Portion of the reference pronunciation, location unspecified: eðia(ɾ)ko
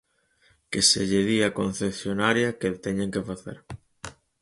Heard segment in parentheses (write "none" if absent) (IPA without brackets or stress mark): none